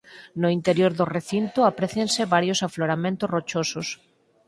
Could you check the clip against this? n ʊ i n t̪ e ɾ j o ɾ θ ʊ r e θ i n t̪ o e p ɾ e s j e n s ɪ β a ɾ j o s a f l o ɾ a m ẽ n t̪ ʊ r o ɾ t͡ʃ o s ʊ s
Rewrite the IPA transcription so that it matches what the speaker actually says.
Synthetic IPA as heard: n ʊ i n t̪ e ɾ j o ɾ ð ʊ r e θ i n t̪ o a p ɾ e θ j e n s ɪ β a ɾ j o s a f l o ɾ a m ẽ n t̪ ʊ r o t͡ʃ o s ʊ s